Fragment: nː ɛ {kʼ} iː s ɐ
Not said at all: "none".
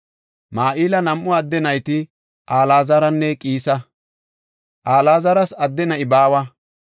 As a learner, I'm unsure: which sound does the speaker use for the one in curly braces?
kʼ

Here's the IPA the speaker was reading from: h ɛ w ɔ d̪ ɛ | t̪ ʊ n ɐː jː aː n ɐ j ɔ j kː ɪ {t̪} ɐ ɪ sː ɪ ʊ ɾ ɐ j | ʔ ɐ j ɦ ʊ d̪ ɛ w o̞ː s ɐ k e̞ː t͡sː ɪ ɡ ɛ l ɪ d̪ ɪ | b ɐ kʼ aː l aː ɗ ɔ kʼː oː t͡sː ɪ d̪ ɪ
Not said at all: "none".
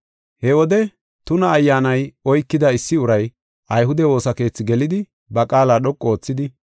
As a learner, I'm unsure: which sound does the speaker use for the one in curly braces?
d̪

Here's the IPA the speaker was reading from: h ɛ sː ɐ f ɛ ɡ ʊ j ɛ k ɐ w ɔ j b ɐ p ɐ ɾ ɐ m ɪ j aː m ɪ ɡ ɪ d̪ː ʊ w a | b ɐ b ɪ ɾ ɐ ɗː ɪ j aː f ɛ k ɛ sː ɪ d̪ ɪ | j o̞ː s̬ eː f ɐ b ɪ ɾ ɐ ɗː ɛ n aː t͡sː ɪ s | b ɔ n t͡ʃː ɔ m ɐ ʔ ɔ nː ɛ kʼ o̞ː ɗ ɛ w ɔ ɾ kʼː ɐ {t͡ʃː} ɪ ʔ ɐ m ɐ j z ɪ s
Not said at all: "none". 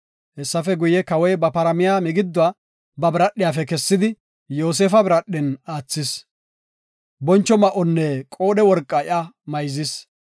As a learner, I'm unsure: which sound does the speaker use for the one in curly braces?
none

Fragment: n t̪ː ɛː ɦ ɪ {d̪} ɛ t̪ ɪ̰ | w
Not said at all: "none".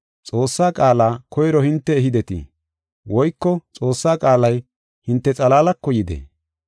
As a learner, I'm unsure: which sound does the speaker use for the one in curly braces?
d̪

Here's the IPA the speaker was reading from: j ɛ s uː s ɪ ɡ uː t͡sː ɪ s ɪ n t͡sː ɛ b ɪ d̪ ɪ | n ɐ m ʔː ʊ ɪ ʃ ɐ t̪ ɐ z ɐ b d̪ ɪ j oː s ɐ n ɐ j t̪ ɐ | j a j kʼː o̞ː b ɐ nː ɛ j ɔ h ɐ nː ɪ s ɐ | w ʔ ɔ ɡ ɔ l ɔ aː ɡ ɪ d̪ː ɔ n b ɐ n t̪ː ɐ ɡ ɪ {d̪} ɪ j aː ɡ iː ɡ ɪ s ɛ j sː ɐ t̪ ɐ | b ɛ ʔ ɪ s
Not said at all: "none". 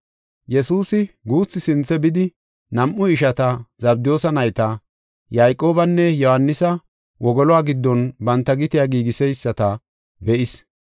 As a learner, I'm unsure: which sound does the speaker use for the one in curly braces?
t̪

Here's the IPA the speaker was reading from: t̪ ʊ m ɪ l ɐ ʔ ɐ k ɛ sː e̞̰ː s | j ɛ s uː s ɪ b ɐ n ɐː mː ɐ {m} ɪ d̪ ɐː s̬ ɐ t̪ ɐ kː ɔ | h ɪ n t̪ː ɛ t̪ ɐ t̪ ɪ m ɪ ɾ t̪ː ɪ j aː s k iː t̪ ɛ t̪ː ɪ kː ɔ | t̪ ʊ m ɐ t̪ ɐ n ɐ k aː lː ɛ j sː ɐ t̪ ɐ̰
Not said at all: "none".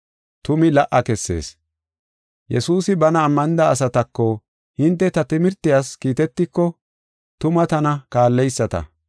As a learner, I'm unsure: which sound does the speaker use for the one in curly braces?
n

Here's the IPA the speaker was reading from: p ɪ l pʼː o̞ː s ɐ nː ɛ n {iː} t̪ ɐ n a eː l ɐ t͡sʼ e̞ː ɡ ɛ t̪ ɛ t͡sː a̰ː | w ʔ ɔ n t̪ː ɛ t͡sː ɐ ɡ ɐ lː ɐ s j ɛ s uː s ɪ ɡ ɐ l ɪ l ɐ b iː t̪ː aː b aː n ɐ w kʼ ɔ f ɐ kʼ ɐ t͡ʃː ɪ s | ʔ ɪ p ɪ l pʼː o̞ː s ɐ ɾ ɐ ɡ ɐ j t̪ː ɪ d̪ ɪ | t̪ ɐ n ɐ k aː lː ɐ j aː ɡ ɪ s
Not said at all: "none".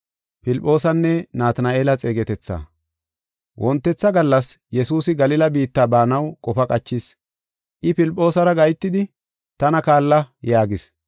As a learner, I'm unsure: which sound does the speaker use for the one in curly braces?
aː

